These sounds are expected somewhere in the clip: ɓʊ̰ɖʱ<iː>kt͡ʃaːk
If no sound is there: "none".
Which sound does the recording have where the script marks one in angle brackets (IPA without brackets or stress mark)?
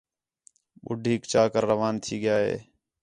iː